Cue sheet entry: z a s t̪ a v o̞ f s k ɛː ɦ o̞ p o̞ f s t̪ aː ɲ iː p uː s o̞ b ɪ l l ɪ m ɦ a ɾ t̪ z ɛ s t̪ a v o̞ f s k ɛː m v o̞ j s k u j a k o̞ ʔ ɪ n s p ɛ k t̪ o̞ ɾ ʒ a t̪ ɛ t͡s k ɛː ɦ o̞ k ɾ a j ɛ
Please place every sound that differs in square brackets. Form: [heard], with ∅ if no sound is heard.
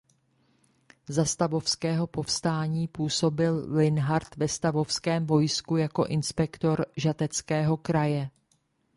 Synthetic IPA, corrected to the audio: z a s t̪ a v o̞ f s k ɛː ɦ o̞ p o̞ f s t̪ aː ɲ iː p uː s o̞ b ɪ l l ɪ [n] ɦ a ɾ t̪ [v] ɛ s t̪ a v o̞ f s k ɛː m v o̞ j s k u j a k o̞ ʔ ɪ n s p ɛ k t̪ o̞ ɾ ʒ a t̪ ɛ t͡s k ɛː ɦ o̞ k ɾ a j ɛ